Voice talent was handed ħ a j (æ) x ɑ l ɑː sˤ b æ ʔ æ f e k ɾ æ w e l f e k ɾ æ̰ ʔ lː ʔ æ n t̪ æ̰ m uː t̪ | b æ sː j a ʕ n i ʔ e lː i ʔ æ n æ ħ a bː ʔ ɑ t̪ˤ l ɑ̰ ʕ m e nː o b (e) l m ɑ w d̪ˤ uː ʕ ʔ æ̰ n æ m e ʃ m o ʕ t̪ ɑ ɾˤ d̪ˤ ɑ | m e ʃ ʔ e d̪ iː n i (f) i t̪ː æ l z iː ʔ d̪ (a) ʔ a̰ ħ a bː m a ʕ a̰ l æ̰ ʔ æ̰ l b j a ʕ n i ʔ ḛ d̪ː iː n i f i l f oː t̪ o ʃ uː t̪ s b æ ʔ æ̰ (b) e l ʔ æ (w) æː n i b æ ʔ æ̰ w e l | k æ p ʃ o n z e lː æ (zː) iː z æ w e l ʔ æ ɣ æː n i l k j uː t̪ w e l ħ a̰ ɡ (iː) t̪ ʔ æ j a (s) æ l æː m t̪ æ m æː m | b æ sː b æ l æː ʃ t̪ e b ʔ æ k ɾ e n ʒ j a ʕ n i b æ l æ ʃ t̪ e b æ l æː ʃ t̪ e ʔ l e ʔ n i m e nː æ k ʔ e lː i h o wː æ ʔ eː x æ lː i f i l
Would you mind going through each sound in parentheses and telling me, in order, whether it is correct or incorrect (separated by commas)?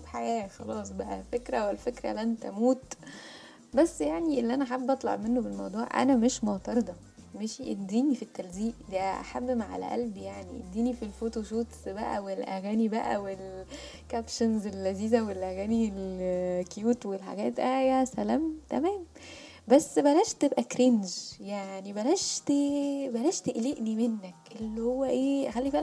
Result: incorrect, correct, correct, incorrect, incorrect, incorrect, incorrect, incorrect, correct